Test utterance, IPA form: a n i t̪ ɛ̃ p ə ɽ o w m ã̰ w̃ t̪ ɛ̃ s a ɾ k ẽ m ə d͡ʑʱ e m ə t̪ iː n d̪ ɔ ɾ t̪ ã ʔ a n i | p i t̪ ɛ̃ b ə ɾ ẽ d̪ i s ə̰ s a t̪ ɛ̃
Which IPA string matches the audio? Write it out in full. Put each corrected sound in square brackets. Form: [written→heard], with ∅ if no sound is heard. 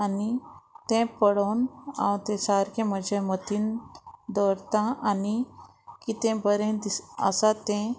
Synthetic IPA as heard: a n i t̪ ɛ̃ p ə ɽ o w [m→n] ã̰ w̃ t̪ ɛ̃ s a ɾ k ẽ m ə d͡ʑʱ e m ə t̪ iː n d̪ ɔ ɾ t̪ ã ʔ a n i | [p→k] i t̪ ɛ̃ b ə ɾ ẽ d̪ i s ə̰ s a t̪ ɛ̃